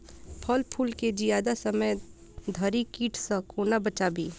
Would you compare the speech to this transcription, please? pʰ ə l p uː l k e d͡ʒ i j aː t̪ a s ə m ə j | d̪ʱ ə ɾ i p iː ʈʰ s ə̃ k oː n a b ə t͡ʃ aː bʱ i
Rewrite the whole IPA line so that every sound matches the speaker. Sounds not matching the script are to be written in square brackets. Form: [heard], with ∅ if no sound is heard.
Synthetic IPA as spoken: pʰ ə l [pʰ] uː l k e d͡ʒ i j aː [d̪] a s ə m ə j | d̪ʱ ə ɾ i [k] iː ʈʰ s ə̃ k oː n a b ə t͡ʃ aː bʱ i